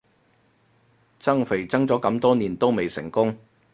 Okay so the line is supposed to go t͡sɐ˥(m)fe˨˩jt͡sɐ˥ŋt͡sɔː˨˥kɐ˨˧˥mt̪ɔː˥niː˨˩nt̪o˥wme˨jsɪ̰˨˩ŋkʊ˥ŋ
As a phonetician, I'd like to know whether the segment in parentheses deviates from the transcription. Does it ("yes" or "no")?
yes